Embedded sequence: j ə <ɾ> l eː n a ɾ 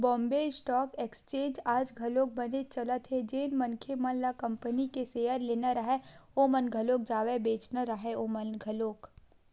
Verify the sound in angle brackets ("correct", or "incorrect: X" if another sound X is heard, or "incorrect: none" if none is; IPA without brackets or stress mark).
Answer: correct